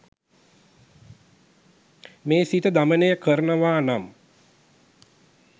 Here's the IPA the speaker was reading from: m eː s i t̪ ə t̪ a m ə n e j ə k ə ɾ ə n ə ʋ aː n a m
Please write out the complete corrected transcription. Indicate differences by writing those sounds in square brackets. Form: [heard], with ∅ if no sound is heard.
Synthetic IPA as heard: m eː s i t̪ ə [d̪] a m ə n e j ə k ə ɾ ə n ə ʋ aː n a m